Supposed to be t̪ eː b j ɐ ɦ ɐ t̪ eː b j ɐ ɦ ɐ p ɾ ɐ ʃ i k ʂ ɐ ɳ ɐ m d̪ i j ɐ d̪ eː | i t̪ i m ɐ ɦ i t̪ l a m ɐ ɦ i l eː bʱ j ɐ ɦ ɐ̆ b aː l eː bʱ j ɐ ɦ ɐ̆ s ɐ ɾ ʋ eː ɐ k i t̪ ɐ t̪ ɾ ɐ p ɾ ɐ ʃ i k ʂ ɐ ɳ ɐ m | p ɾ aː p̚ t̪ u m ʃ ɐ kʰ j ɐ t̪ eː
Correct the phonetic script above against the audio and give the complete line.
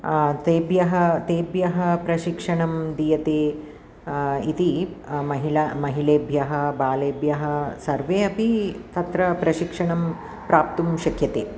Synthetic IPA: t̪ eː b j ɐ ɦ ɐ t̪ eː b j ɐ ɦ ɐ p ɾ ɐ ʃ i k ʂ ɐ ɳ ɐ m d̪ i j ɐ t̪ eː | i t̪ i m ɐ ɦ i l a m ɐ ɦ i l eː bʱ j ɐ ɦ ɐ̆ b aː l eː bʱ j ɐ ɦ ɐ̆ s ɐ ɾ ʋ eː ɐ p i t̪ ɐ t̪ ɾ ɐ p ɾ ɐ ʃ i k ʂ ɐ ɳ ɐ m | p ɾ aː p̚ t̪ u m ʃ ɐ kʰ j ɐ t̪ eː

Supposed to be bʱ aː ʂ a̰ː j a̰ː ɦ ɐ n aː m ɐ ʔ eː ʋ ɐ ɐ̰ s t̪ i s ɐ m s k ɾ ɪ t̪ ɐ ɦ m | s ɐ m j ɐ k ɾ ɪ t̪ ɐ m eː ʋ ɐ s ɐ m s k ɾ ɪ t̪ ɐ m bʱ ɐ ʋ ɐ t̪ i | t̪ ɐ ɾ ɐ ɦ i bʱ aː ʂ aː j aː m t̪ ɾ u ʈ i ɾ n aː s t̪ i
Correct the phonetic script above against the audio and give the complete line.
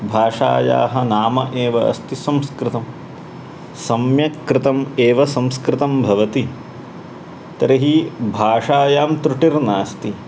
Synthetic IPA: bʱ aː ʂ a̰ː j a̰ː ɦ ɐ n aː m ɐ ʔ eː ʋ ɐ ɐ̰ s t̪ i s ɐ m s k ɾ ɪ t̪ ɐ m | s ɐ m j ɐ k ɾ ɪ t̪ ɐ m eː ʋ ɐ s ɐ m s k ɾ ɪ t̪ ɐ m bʱ ɐ ʋ ɐ t̪ i | t̪ ɐ ɾ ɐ ɦ i bʱ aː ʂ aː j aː m t̪ ɾ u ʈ i ɾ n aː s t̪ i

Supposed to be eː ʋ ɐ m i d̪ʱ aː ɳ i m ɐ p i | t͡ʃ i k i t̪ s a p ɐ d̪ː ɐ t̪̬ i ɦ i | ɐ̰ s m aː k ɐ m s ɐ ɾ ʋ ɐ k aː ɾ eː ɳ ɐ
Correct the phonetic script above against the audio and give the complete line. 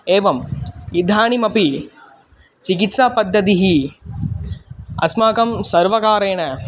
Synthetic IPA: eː ʋ ɐ m i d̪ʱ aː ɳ i m ɐ p i | t͡ʃ i k i t̪ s a p ɐ d̪ː ɐ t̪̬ i ɦ i | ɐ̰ s m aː k ɐ m s ɐ ɾ ʋ ɐ k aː ɾ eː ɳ ɐ

